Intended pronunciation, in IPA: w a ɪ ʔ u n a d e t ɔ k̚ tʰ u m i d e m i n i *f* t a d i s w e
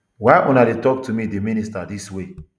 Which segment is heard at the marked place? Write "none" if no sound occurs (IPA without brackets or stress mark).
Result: s